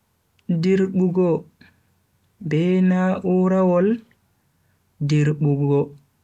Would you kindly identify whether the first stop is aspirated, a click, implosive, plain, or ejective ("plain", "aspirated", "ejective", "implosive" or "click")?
plain